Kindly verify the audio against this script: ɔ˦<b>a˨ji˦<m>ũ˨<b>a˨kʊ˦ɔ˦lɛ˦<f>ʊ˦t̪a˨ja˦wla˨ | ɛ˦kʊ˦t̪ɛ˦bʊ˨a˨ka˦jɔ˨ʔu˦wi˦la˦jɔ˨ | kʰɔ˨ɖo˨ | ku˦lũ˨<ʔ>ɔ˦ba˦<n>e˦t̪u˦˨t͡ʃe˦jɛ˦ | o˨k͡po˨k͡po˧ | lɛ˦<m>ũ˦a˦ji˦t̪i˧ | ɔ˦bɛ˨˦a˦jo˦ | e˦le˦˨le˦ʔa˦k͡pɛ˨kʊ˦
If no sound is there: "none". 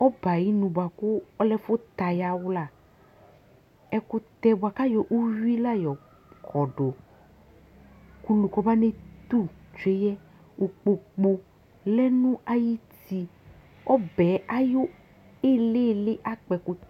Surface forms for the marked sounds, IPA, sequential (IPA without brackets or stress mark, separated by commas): b, n, b, f, k, n, n